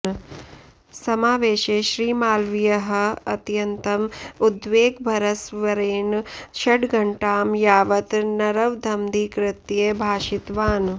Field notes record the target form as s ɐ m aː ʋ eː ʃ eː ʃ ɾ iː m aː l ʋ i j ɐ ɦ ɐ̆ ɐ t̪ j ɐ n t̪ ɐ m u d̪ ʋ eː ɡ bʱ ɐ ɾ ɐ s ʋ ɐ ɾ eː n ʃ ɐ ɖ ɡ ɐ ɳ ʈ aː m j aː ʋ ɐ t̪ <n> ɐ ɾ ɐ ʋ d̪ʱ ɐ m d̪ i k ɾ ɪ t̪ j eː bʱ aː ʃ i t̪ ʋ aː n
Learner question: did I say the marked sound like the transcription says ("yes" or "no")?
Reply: yes